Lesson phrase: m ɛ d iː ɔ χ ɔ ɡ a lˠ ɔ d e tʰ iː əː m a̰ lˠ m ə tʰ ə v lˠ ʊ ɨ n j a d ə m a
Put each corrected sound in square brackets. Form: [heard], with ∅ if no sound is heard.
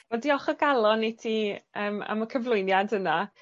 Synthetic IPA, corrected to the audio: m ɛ d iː ɔ χ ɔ ɡ a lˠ ɔ [n] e tʰ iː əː m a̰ [∅] m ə [kʰ] ə v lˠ ʊ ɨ n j a d ə [n] a